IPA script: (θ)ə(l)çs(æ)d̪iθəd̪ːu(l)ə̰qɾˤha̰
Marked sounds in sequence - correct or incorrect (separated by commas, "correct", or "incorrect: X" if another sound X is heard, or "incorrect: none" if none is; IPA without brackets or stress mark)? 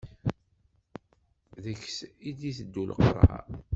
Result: incorrect: ð, incorrect: none, incorrect: i, correct